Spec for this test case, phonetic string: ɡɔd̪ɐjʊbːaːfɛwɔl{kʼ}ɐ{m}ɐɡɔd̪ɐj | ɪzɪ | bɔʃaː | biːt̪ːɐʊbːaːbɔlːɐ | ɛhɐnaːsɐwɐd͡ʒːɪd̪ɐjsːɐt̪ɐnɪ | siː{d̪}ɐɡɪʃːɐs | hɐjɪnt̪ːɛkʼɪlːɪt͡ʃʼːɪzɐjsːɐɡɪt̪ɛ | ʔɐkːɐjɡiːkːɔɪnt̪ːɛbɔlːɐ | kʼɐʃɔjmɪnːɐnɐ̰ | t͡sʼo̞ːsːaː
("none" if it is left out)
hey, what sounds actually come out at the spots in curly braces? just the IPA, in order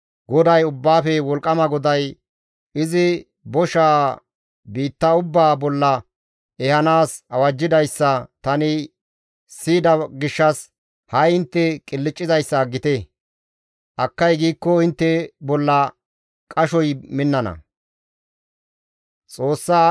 kʼ, m, d̪

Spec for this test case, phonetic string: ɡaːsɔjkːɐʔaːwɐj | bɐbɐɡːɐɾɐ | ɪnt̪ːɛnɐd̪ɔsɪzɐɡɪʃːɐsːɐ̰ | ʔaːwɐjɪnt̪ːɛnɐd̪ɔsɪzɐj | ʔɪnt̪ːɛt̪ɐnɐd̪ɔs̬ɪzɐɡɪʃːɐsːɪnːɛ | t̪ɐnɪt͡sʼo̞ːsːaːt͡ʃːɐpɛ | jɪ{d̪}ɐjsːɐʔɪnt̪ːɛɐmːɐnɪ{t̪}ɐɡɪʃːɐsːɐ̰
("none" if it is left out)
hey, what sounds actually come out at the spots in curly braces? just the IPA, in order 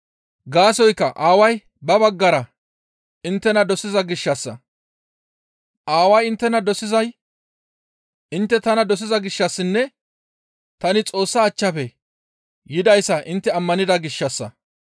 d̪, d̪

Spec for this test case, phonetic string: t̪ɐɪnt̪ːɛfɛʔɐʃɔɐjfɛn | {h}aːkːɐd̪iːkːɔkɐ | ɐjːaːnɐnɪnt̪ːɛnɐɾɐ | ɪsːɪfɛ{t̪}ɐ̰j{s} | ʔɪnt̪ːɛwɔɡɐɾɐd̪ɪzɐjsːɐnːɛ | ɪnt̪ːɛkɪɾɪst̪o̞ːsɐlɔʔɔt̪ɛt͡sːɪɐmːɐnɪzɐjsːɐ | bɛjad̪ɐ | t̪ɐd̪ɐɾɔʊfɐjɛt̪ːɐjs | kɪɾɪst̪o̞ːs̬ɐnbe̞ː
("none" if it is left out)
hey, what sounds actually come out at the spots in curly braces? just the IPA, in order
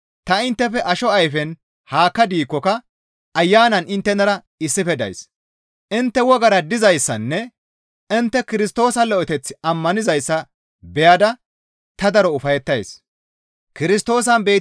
h, d̪, s

